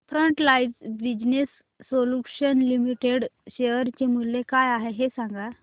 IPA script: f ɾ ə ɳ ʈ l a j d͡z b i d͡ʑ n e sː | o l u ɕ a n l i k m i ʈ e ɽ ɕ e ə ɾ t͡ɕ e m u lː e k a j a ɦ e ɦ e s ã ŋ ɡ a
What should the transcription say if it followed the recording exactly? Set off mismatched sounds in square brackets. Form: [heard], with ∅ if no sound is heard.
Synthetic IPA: f ɾ ə ɳ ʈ l a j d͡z b i d͡ʑ n e sː | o l u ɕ [ə] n l i [∅] m i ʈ e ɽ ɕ e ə ɾ t͡ɕ e m u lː e k a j a ɦ e ɦ e s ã ŋ ɡ a